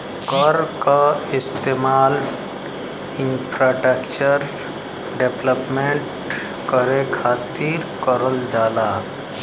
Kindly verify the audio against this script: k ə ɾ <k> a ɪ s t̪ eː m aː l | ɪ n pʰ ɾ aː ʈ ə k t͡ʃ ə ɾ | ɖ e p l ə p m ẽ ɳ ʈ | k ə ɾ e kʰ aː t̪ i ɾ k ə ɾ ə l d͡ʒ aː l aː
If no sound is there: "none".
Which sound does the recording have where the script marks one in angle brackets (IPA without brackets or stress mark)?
k